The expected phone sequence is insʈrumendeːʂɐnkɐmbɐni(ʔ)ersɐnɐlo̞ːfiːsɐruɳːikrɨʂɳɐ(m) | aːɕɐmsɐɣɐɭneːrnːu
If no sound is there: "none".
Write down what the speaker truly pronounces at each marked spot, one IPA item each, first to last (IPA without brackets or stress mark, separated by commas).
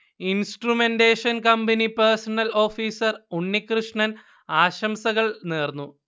p, n